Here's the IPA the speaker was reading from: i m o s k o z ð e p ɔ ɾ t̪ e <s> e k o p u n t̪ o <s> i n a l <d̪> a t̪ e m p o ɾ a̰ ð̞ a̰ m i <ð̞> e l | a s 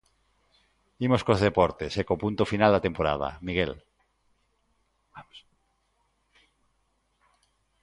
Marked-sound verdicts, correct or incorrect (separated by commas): correct, incorrect, correct, incorrect